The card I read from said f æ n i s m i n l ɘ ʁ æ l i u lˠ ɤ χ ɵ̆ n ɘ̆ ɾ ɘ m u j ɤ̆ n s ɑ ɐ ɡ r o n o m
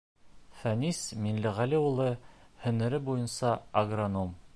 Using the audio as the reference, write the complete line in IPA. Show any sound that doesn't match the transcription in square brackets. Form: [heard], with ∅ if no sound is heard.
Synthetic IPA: f æ n i s m i n l ɘ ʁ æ l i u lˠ ɤ [h] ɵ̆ n ɘ̆ ɾ ɘ [b] u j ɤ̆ n s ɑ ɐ ɡ r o n o m